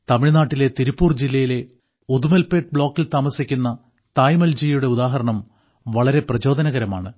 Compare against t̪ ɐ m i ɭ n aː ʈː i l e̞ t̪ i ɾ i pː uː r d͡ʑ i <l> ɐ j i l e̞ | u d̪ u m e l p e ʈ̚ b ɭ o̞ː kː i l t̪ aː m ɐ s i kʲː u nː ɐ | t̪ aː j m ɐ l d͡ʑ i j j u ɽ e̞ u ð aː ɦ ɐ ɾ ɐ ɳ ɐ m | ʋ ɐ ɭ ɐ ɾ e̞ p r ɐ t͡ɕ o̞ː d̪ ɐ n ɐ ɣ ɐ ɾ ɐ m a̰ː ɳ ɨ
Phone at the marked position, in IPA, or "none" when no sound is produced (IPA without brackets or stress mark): lː